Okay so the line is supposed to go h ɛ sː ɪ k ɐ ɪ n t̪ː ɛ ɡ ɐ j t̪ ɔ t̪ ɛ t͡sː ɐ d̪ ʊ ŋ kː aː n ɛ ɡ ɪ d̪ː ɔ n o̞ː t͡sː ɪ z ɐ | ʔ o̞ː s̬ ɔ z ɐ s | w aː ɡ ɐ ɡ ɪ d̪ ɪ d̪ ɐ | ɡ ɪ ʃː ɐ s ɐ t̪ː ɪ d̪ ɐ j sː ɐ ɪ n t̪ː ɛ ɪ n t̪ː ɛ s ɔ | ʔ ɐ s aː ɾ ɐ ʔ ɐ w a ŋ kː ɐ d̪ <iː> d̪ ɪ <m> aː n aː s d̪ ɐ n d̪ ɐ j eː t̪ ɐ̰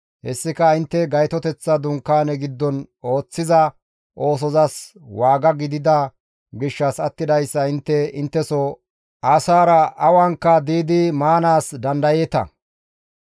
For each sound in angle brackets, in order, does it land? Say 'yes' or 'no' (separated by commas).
yes, yes